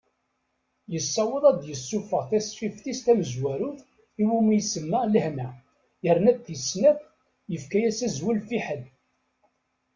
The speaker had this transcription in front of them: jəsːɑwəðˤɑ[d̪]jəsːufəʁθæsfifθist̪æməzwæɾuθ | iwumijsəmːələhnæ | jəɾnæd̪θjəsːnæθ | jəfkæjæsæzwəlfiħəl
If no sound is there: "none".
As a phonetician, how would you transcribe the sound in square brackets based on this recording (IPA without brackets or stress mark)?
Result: d̪